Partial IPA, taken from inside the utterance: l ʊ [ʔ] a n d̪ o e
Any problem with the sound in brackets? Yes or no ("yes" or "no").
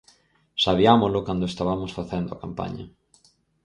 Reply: yes